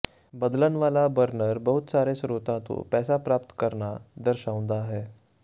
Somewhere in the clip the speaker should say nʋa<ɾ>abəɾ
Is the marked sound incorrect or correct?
incorrect